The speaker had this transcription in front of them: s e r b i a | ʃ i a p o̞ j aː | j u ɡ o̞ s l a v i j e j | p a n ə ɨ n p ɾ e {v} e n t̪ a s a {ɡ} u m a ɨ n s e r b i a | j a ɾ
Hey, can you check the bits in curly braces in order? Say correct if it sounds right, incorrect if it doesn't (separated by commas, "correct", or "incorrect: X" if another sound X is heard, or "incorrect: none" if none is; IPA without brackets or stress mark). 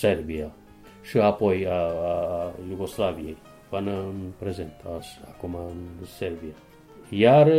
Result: incorrect: z, incorrect: k